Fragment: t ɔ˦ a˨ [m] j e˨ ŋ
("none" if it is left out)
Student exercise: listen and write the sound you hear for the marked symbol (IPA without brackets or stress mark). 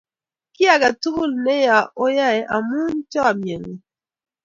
m